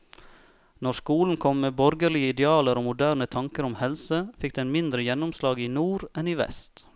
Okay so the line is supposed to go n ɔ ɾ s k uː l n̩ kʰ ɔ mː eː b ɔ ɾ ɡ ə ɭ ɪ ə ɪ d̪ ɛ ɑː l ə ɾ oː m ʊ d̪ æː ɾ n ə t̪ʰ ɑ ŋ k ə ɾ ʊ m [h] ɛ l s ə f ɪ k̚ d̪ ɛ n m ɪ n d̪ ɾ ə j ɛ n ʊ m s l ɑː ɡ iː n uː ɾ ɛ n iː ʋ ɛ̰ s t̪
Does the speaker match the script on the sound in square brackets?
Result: yes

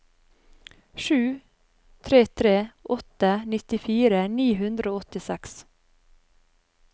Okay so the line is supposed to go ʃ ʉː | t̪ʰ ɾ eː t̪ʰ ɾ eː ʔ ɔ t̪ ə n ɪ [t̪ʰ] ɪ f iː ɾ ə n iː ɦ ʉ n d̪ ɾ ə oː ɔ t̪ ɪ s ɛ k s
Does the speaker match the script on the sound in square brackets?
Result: no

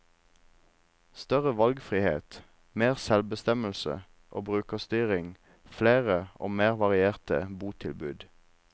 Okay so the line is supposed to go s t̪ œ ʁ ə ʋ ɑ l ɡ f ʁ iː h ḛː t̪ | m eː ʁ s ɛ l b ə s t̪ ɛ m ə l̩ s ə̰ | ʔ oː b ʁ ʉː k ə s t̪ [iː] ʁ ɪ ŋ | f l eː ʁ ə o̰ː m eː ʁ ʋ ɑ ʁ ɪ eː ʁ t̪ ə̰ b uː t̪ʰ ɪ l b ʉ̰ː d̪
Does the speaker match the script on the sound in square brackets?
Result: no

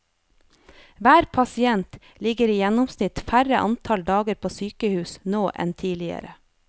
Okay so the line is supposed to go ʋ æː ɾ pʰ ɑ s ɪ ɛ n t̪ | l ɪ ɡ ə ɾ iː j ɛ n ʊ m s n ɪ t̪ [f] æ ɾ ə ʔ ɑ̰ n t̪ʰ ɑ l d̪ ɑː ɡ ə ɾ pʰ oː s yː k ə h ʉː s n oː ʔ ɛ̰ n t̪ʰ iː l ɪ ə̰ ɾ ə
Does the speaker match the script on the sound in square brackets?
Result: yes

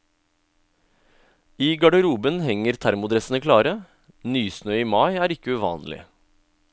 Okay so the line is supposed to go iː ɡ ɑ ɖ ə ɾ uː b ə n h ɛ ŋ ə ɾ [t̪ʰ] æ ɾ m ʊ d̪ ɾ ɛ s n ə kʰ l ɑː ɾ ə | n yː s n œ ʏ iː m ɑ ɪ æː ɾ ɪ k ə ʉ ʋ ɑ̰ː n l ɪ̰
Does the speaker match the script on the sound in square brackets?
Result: yes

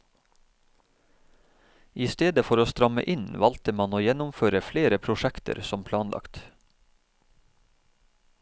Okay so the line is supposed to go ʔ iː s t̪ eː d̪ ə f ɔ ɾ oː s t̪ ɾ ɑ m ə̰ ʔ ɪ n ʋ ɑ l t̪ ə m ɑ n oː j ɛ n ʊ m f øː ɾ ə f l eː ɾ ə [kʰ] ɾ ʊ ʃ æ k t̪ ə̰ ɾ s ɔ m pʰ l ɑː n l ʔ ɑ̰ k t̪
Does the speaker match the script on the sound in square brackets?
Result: no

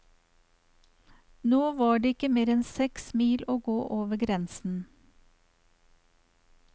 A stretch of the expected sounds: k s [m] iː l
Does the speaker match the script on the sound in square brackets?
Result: yes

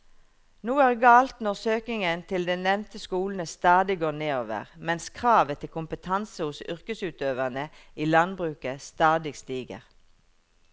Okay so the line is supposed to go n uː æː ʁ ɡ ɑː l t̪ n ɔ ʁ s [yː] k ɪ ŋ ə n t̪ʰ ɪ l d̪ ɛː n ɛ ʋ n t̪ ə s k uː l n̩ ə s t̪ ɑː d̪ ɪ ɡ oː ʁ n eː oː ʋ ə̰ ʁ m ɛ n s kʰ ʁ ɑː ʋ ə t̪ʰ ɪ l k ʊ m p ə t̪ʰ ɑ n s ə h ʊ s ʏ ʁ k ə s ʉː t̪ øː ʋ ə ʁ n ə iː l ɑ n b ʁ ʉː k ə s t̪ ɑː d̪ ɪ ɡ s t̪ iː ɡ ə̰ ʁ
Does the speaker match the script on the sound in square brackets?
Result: no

